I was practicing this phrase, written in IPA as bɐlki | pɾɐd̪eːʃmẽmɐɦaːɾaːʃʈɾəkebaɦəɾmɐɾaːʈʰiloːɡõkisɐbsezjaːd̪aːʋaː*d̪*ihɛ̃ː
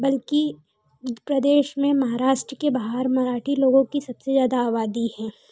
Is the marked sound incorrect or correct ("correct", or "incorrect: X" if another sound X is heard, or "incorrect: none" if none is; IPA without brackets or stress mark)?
correct